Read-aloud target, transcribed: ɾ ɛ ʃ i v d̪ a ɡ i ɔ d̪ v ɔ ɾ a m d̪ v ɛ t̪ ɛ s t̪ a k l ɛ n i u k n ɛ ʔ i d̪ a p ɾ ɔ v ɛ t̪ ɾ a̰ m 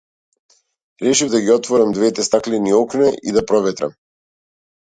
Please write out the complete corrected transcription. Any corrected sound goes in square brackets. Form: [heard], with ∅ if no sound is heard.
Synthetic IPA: ɾ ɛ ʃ i v d̪ a ɡ i ɔ [t̪] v ɔ ɾ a m d̪ v ɛ t̪ ɛ s t̪ a k l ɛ n i [ɔ] k n ɛ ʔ i d̪ a p ɾ ɔ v ɛ t̪ ɾ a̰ m